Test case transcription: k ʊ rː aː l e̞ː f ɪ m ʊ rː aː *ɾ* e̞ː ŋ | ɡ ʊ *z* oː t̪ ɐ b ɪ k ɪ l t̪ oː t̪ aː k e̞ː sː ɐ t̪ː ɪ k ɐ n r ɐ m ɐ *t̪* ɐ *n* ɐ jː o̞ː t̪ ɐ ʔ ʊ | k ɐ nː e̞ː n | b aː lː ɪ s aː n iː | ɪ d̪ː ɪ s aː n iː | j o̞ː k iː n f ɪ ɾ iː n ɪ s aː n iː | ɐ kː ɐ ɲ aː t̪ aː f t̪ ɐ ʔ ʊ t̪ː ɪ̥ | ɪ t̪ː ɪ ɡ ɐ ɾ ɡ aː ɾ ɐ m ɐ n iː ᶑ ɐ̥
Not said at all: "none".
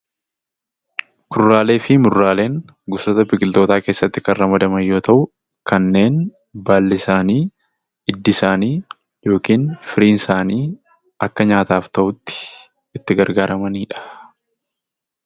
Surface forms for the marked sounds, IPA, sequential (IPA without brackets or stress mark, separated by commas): l, s, d̪, m